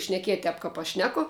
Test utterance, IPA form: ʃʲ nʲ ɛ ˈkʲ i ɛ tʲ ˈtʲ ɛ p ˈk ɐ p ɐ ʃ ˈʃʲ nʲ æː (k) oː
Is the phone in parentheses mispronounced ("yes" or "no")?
no